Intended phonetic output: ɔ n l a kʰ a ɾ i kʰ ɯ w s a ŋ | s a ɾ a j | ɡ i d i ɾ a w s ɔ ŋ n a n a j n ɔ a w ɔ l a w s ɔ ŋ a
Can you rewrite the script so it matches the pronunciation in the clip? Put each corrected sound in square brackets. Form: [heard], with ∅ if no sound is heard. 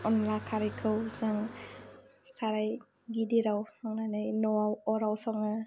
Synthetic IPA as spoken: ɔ n l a kʰ a ɾ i kʰ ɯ w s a ŋ | s a ɾ a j | ɡ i d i ɾ a w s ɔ ŋ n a n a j n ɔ a w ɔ [ɾ] a w s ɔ ŋ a